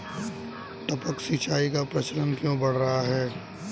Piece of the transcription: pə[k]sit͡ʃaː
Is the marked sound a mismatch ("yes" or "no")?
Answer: no